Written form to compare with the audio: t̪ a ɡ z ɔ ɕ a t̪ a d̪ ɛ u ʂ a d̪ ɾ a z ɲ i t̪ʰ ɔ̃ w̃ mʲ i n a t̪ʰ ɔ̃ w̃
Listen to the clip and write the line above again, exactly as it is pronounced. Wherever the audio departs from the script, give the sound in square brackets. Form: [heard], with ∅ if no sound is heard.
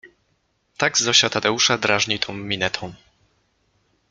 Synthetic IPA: t̪ a ɡ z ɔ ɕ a t̪ a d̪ ɛ u ʂ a d̪ ɾ a [ʐ] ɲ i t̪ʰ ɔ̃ w̃ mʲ i n [ɛ] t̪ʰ ɔ̃ w̃